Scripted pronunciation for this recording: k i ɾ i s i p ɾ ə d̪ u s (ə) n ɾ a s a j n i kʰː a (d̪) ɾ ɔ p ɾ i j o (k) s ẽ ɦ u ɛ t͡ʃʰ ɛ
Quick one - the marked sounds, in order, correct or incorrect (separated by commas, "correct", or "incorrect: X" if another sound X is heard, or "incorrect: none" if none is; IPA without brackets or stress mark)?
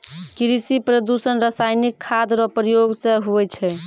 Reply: correct, correct, incorrect: ɡ